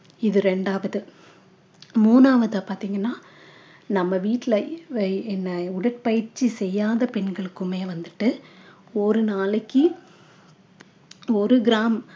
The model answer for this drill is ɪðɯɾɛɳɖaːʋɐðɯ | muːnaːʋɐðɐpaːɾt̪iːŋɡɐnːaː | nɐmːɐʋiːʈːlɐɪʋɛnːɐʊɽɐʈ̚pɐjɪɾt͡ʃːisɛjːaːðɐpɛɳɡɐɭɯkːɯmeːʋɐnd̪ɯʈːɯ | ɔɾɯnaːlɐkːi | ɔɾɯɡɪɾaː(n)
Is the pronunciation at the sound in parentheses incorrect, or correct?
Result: incorrect